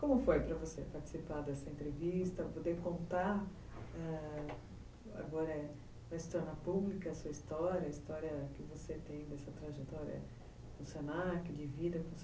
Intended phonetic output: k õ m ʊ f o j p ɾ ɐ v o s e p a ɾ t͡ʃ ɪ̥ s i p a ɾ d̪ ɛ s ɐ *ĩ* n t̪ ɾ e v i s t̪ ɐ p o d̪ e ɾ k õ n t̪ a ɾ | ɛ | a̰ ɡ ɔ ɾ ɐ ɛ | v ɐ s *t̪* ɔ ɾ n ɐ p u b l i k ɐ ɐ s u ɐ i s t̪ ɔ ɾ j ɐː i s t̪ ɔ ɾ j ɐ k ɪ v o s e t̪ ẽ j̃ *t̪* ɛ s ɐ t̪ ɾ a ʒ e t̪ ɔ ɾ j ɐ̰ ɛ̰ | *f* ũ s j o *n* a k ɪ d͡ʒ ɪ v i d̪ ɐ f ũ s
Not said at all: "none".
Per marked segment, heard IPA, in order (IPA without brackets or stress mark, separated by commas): ẽ, t̪, d̪, f, n